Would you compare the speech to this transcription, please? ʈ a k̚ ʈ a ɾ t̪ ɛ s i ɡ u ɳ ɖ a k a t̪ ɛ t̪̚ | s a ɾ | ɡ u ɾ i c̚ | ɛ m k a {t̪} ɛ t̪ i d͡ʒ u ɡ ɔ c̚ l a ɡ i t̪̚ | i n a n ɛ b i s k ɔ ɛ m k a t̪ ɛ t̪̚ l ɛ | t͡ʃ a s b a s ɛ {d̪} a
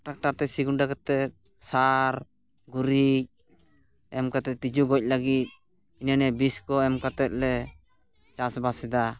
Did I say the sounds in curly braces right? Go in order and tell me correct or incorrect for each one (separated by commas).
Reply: correct, correct